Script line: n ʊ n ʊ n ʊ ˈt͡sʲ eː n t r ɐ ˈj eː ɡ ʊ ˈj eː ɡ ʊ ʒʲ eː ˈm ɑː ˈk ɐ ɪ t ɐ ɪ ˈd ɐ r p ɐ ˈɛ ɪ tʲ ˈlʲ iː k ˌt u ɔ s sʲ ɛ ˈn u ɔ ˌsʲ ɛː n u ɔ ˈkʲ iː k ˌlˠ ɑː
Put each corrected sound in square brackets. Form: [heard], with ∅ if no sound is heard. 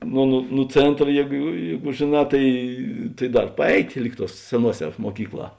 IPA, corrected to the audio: n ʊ n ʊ n ʊ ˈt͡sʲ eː n t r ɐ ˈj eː ɡ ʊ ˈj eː ɡ ʊ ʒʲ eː [ˈn] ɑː [ˈt] ɐ ɪ t ɐ ɪ ˈd ɐ r p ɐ ˈɛ ɪ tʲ ˈlʲ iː k ˌt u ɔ s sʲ ɛ ˈn u ɔ ˌsʲ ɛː [m] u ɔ ˈkʲ iː k ˌlˠ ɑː